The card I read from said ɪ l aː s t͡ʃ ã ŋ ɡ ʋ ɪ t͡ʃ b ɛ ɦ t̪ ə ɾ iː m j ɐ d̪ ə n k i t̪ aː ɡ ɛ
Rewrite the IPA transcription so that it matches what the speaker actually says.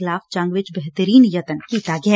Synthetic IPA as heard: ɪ l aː f t͡ʃ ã ŋ ɡ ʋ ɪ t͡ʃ b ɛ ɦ t̪ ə ɾ iː n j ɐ t̪ ə n k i t̪ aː ɡ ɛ